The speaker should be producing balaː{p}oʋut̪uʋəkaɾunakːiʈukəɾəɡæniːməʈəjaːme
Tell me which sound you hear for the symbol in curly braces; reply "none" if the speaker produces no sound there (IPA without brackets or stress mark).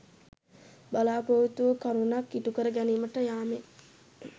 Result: p